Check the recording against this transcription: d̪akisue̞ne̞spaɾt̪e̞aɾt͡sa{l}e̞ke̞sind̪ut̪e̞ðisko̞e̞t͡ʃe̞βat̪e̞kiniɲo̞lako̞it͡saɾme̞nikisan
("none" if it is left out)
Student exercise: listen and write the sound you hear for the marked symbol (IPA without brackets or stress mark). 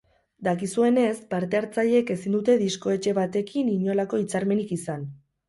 ʎ